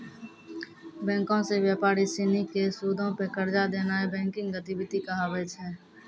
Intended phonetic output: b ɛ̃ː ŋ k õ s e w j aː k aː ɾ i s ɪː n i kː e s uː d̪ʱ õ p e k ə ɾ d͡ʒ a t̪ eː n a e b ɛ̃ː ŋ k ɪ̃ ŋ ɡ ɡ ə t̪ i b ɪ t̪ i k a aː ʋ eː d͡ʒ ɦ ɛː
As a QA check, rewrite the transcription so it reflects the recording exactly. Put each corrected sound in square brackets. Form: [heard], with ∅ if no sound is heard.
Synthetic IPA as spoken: b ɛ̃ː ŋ k õ s e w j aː [p] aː ɾ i s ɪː n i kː e s uː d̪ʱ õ p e k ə ɾ d͡ʒ a [d̪] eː n a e b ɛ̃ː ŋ k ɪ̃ ŋ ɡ ɡ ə t̪ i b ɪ t̪ i k a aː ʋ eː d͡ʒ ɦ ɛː